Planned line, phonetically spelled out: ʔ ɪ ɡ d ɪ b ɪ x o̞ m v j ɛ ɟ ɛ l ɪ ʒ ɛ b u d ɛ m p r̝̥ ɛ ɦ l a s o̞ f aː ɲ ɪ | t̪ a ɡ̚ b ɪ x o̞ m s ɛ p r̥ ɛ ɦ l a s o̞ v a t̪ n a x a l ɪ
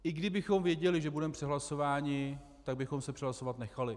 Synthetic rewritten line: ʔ ɪ ɡ d ɪ b ɪ x o̞ m v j ɛ ɟ ɛ l ɪ ʒ ɛ b u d ɛ m p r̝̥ ɛ ɦ l a s o̞ v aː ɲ ɪ | t̪ a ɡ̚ b ɪ x o̞ m s ɛ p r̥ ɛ ɦ l a s o̞ v a t̪ n ɛ x a l ɪ